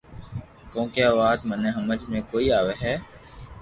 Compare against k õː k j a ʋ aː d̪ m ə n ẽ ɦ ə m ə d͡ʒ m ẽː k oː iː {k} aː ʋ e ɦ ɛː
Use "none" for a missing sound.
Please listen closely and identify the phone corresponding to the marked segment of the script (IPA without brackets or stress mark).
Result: none